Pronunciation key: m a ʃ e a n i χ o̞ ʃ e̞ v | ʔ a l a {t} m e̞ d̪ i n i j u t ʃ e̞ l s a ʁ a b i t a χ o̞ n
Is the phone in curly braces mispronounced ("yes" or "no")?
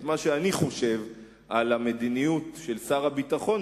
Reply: yes